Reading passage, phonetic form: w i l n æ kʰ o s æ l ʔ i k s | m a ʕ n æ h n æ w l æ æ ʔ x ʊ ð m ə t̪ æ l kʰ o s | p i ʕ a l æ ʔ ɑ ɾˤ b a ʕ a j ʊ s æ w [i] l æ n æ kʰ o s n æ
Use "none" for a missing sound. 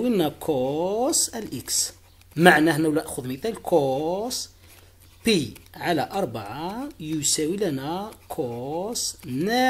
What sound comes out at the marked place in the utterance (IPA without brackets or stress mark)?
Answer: i